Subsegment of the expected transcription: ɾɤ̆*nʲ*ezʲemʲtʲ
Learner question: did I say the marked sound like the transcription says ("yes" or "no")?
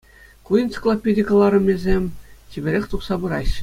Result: no